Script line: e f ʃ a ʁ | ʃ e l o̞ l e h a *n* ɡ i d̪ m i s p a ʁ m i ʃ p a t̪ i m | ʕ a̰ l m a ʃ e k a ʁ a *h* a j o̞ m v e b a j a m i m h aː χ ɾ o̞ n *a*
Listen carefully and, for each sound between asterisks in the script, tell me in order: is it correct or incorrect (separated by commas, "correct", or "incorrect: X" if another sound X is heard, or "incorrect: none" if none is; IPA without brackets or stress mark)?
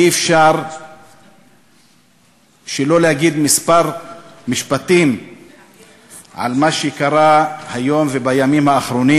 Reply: incorrect: none, correct, incorrect: i